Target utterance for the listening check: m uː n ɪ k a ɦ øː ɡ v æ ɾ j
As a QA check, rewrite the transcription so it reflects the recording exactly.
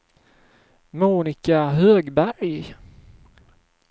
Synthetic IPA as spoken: m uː n ɪ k a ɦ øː ɡ b æ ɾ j

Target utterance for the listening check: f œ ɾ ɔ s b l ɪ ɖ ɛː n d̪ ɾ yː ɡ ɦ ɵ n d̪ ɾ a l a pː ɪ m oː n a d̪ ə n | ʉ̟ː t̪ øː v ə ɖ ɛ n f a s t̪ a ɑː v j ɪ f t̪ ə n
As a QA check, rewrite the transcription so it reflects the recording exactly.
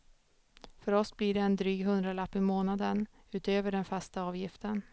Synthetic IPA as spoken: f œ ɾ ɔ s b l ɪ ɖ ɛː n d̪ ɾ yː ɡ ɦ ɵ n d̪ ɾ a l a pː ɪ m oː n a d̪ ə n | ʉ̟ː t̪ øː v ə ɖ ɛ n f a s t̪ a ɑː v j ɪ f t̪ ə n

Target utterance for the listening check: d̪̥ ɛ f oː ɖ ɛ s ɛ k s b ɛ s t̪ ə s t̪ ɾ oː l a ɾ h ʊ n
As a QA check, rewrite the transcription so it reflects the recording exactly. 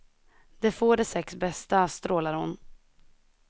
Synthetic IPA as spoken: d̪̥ ɛ f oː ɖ ɛ s ɛ k s b ɛ s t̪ a s t̪ ɾ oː l a ɾ h ʊ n

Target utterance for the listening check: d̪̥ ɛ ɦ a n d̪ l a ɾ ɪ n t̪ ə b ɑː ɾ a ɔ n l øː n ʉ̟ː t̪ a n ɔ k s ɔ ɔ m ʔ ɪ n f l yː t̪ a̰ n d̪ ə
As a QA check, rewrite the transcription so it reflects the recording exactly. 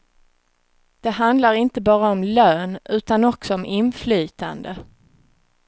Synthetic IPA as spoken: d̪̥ ɛ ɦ a n d̪ l a ɾ ɪ n t̪ ə b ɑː ɾ a ɔ m l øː n ʉ̟ː t̪ a n ɔ k s ɔ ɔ m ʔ ɪ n f l yː t̪ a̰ n d̪ ə

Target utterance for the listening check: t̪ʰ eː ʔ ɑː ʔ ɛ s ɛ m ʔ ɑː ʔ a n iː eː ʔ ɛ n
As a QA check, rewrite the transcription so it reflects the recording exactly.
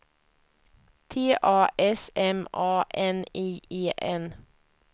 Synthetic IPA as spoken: t̪ʰ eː ʔ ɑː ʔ ɛ s ɛ m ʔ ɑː ʔ ɛ n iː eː ʔ ɛ n

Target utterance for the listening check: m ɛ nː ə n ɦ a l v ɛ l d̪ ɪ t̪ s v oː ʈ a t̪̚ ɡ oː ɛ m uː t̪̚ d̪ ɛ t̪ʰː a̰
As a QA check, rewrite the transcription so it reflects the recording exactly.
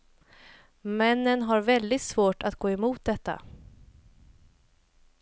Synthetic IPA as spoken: m ɛ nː ə n ɦ a ɾ v ɛ l d̪ ɪ t̪ s v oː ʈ a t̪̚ ɡ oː ɛ m uː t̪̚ d̪ ɛ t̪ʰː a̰

